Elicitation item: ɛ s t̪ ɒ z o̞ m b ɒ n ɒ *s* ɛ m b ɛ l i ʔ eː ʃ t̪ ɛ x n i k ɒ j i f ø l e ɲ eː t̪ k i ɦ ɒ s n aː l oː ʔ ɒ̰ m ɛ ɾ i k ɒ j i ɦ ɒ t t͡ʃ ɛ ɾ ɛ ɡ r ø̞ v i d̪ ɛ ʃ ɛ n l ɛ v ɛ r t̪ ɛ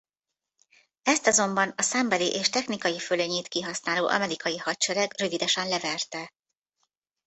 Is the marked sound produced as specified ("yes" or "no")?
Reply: yes